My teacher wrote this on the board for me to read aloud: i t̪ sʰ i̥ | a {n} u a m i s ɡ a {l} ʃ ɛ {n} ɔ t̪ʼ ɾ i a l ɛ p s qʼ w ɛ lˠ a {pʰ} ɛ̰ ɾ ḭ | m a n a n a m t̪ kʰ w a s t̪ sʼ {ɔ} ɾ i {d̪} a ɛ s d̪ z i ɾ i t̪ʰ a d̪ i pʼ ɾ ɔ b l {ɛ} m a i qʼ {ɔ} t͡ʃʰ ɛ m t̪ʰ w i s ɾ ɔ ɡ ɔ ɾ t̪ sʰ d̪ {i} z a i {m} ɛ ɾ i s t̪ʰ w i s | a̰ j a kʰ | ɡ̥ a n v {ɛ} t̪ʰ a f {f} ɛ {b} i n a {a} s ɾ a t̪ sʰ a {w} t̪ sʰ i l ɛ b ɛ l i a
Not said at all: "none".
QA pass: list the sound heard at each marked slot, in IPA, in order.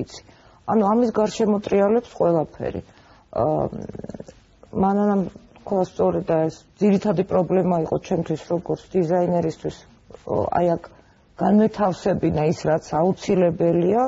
n, ɾ, m, pʰ, ɔ, d̪, ɛ, ɔ, i, n, ɛ, s, b, i, u

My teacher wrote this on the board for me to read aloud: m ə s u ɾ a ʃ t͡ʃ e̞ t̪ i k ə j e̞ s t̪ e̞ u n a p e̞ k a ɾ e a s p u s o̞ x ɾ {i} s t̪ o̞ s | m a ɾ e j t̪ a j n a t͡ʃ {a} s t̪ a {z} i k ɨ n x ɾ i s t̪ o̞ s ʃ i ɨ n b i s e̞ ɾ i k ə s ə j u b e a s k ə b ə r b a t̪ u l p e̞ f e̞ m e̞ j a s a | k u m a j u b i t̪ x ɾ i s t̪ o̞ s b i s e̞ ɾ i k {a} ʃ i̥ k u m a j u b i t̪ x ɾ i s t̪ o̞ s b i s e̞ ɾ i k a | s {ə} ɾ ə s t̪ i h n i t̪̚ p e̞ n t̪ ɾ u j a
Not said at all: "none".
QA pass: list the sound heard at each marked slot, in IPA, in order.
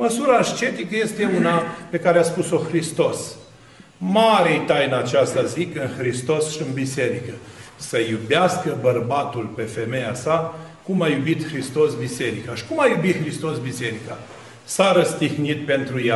i, a, z, a, a

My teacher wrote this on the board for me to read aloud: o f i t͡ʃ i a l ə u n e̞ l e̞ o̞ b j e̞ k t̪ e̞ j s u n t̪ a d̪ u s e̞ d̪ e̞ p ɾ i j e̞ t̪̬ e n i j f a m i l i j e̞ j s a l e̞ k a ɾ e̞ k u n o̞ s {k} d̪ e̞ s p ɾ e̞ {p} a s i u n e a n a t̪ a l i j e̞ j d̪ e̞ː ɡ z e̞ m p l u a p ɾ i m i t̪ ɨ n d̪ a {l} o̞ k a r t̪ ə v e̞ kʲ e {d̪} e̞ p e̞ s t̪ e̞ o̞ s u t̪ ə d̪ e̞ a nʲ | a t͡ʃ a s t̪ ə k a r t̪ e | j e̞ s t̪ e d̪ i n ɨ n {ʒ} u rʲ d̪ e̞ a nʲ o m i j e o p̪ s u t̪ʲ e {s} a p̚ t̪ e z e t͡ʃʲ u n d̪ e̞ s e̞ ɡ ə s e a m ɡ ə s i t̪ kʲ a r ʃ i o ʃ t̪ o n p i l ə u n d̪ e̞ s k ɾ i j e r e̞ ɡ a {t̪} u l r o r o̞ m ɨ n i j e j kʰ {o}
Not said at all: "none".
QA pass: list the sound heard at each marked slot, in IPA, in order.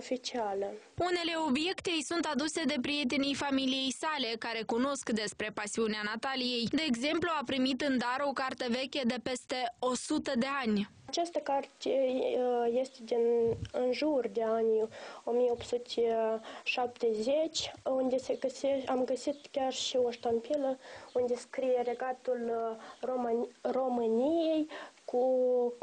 k, p, ɾ, d̪, ʒ, ʃ, t̪, u

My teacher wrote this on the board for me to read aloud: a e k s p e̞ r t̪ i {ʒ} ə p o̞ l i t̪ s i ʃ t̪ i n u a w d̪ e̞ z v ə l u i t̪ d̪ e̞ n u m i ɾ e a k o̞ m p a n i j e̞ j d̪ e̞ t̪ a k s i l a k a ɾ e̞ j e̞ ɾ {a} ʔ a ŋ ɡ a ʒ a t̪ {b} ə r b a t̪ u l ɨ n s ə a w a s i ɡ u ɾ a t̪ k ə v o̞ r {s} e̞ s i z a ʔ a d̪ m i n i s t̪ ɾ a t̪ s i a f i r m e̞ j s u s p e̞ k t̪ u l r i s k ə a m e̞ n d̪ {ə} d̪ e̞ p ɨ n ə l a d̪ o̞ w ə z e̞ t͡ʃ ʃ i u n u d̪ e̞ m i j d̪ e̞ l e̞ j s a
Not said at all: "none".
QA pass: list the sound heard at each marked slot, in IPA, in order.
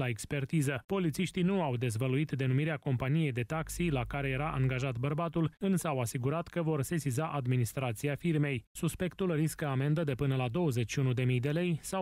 z, a, b, s, ə

